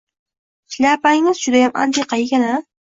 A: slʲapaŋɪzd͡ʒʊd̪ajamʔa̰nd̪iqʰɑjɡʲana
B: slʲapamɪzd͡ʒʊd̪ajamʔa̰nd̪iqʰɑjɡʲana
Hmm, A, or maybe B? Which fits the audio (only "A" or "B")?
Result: A